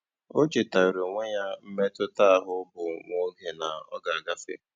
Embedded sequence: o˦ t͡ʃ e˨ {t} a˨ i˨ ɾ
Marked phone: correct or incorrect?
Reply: correct